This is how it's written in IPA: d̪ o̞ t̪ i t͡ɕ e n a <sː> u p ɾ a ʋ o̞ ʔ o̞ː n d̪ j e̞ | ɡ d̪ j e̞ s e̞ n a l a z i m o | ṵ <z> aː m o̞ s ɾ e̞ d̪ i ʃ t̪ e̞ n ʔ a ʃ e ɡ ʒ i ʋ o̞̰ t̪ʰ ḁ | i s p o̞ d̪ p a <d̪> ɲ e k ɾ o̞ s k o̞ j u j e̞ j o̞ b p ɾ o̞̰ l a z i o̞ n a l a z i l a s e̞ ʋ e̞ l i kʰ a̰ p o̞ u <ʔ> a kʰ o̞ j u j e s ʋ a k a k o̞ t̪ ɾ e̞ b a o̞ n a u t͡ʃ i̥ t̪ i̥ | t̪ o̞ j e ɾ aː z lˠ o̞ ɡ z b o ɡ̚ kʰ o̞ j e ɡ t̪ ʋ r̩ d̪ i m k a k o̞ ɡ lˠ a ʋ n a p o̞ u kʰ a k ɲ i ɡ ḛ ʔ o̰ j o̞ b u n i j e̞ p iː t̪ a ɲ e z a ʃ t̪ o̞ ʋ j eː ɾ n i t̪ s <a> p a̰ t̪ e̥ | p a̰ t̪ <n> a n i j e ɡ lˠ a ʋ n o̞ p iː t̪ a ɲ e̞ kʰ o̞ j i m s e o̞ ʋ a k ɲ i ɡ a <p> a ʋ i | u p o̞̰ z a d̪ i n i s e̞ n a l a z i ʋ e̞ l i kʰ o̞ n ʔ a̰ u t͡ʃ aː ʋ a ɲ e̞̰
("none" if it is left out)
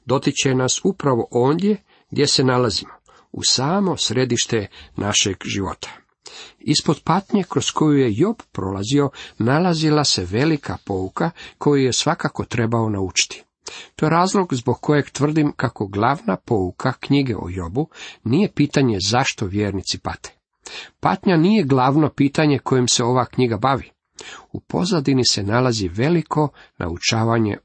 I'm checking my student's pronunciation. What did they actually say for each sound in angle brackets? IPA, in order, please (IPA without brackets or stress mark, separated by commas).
s, s, t̪, k, i, ɲ, b